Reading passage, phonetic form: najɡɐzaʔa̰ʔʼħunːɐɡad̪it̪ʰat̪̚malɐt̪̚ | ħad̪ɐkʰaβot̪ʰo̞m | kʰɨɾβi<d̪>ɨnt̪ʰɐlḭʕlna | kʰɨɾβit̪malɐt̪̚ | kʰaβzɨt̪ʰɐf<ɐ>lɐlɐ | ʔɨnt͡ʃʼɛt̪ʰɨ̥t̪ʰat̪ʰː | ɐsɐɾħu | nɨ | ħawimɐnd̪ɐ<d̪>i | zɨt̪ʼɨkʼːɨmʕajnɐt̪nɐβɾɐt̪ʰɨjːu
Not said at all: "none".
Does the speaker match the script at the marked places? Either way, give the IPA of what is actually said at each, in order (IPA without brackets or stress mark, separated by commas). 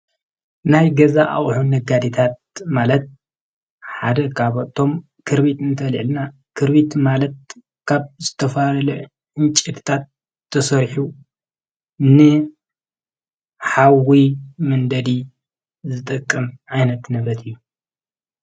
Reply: t̪, a, d̪